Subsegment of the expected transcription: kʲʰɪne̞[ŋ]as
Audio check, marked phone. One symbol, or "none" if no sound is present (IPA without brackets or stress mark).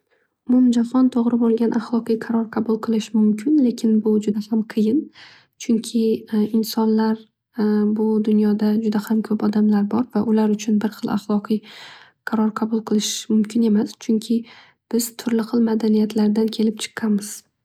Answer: m